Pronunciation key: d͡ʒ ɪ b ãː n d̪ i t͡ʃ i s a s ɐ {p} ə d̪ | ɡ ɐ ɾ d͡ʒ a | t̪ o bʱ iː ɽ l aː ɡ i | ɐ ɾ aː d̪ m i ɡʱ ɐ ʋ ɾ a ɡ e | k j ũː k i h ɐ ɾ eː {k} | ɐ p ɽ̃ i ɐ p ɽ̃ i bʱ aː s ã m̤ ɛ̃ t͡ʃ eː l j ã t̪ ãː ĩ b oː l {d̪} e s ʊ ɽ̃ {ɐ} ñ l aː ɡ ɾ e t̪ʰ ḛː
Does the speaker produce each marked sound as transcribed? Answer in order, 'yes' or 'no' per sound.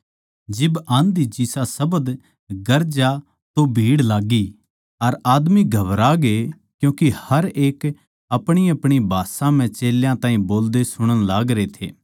no, yes, yes, no

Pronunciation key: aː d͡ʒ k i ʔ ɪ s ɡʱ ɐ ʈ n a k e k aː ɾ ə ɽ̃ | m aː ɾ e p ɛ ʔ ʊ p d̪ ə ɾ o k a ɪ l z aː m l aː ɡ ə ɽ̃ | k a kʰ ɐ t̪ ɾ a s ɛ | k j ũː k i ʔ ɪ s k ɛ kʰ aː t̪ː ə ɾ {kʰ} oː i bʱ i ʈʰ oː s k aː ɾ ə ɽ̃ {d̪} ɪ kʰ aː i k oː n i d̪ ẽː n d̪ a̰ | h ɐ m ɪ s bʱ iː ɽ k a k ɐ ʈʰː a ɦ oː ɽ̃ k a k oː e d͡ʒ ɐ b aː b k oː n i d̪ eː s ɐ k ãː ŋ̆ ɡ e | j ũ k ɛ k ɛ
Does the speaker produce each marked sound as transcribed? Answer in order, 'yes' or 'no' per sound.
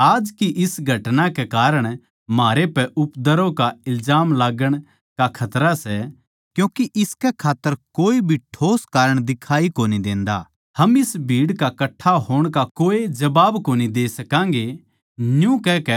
no, yes

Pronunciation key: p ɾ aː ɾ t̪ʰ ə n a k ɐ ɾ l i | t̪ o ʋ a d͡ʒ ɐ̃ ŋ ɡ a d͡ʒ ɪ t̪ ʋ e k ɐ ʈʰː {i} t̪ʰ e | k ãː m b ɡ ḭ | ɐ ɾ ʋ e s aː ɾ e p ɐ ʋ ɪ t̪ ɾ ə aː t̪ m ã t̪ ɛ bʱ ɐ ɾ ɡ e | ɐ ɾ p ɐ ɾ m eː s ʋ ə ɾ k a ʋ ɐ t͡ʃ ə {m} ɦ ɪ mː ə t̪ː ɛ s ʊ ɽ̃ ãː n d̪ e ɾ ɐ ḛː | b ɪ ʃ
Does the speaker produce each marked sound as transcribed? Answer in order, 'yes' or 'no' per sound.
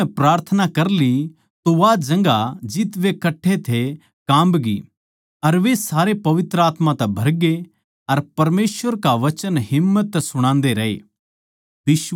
no, no

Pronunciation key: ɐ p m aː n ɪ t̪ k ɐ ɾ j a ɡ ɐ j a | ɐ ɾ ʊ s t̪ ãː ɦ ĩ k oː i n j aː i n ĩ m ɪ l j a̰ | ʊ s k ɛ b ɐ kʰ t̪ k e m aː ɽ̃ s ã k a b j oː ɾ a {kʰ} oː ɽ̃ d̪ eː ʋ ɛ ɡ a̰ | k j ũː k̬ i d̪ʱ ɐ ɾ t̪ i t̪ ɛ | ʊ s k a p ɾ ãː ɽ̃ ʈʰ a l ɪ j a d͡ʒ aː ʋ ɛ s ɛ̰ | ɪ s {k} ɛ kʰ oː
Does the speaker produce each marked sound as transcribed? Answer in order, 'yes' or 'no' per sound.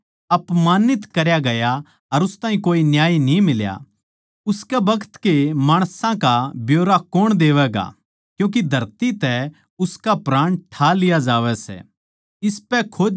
no, no

